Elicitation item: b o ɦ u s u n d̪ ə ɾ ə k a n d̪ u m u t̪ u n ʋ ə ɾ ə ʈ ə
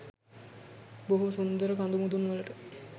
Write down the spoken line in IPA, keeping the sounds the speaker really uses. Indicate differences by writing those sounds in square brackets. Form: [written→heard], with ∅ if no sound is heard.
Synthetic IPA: b o ɦ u s u n d̪ ə ɾ ə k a n d̪ u m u [t̪→d̪] u n ʋ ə [ɾ→l] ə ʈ ə